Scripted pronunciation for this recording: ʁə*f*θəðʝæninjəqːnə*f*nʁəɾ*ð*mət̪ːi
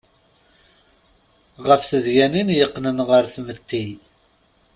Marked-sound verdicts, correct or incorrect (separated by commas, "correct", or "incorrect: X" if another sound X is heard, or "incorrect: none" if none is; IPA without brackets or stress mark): correct, incorrect: none, incorrect: θ